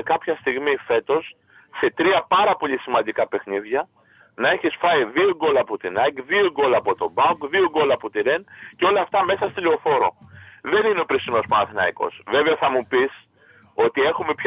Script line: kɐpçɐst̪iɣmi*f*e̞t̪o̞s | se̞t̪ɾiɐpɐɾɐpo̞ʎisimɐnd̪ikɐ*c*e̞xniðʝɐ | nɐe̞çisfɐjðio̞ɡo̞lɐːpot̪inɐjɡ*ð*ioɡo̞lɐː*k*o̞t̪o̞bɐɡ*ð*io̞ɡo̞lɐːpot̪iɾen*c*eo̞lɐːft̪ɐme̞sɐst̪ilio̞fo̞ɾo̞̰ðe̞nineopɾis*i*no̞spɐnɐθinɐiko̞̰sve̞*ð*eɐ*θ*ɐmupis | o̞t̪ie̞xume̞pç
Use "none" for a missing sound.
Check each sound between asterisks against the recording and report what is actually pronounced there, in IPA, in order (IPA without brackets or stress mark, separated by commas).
f, p, ð, p, ð, c, i, v, θ